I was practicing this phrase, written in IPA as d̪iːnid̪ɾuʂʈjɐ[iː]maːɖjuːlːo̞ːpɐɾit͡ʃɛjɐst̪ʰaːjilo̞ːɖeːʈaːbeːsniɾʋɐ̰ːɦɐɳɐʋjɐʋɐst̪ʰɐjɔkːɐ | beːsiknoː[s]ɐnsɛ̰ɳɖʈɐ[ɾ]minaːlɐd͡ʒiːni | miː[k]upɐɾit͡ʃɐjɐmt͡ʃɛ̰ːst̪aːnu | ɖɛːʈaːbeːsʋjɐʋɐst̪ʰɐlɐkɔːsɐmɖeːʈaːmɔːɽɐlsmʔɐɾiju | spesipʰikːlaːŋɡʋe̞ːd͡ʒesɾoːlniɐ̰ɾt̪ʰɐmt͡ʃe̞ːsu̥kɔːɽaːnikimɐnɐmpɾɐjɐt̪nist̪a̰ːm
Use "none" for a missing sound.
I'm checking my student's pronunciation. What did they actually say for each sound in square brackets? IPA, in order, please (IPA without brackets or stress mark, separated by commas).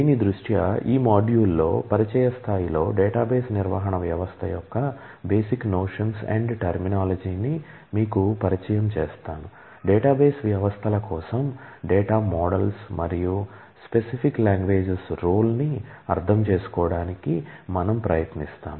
iː, ʂ, ɾ, k